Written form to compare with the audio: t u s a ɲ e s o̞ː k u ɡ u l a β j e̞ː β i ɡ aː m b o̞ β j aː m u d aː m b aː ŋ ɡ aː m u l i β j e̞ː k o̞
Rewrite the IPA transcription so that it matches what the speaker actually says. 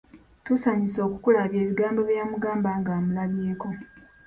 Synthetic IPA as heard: t u s a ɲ i s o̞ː k u k u l a β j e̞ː β i ɡ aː m b o̞ β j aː m u ɡ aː m b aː ŋ ɡ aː m u l a β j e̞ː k o̞